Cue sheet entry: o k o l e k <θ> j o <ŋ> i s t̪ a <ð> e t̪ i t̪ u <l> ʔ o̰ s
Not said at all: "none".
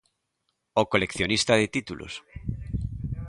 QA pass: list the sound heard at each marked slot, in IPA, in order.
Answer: θ, n, ð, l

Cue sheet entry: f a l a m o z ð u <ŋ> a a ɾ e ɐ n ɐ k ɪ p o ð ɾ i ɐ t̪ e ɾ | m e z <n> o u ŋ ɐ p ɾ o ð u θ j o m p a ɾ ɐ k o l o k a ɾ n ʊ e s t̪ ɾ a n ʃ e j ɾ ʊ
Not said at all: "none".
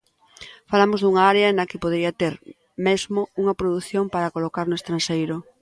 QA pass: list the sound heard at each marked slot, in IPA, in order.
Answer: ŋ, m

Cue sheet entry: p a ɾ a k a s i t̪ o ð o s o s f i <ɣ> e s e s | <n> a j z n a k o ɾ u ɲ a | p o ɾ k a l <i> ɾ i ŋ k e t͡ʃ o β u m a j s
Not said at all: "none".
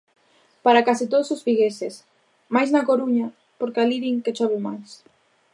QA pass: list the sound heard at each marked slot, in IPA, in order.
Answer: ɣ, m, i

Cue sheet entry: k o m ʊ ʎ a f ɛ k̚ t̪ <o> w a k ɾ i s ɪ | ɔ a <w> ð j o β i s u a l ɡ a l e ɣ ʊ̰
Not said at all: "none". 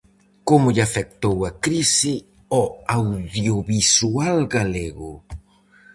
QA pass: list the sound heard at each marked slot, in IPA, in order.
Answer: o, w

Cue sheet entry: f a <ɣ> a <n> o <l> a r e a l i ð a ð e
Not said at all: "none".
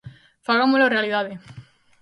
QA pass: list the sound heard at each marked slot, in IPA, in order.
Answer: ɣ, m, l

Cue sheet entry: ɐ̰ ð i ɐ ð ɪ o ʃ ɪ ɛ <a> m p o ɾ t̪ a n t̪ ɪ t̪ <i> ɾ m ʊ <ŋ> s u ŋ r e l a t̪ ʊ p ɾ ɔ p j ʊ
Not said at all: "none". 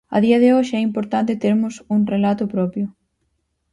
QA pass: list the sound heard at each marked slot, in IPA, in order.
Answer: i, e, none

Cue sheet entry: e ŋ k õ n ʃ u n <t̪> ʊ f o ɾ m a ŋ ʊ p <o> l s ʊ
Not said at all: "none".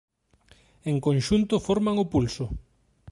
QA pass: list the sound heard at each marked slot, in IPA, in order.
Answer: t̪, u

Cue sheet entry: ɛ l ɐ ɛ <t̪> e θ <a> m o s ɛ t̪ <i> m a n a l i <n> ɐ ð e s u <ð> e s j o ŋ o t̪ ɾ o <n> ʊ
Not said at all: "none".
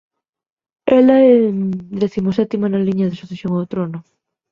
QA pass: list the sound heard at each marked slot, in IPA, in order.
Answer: d̪, i, i, ɲ, θ, n

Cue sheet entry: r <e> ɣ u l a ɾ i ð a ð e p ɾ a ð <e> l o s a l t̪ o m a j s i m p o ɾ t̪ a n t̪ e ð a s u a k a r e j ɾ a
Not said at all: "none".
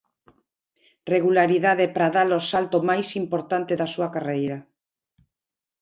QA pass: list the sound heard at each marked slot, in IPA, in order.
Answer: e, a

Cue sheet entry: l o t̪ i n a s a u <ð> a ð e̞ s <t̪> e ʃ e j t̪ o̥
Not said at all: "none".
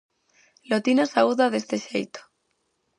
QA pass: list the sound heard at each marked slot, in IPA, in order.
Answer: ð, t̪

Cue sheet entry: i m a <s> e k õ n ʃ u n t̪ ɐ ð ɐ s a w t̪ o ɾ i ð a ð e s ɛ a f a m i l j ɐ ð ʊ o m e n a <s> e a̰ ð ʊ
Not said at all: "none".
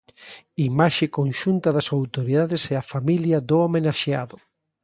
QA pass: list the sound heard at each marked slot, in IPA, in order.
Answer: ʃ, ʃ

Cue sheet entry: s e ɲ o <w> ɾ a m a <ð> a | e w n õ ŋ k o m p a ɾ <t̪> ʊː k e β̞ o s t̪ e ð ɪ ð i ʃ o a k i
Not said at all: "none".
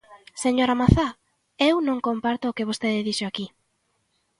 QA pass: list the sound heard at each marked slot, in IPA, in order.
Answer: none, θ, t̪

